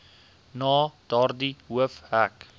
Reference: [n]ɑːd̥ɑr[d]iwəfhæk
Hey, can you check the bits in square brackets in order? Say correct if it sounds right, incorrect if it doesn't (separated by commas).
correct, correct